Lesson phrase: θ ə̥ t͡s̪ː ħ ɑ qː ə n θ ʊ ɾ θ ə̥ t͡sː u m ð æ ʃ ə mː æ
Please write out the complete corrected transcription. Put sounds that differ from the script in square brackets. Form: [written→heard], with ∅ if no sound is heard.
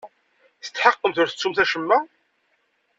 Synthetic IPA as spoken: θ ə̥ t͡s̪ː ħ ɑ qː ə [n→m] θ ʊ ɾ θ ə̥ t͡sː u m [ð→θ] æ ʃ ə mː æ